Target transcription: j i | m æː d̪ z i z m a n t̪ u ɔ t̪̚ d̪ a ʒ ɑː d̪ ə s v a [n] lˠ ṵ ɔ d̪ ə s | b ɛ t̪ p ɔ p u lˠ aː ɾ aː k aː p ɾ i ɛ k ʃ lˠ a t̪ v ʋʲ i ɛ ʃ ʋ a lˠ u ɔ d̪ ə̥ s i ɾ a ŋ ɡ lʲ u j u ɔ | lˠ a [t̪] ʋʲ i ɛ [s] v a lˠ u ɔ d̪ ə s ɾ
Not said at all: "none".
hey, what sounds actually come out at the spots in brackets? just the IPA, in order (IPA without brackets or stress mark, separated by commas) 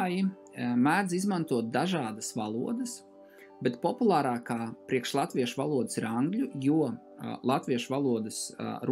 none, t̪, ʃ